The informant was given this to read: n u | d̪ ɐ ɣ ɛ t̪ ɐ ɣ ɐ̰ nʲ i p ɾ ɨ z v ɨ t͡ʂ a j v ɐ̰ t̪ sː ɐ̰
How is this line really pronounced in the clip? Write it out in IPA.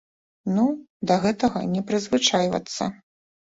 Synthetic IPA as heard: n u | d̪ ɐ ɣ ɛ t̪ ɐ ɣ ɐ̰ nʲ ɛ p ɾ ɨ z v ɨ t͡ʂ a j v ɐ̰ t̪ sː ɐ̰